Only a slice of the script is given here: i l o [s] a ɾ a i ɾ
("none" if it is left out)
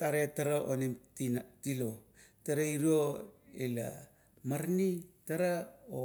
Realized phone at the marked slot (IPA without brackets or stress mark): t